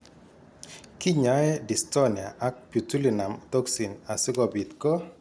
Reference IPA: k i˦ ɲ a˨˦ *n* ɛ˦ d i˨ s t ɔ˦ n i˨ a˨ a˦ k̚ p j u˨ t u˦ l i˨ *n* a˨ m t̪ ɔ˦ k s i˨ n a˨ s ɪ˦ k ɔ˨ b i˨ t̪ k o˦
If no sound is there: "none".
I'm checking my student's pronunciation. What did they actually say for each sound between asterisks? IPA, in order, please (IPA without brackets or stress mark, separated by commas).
none, n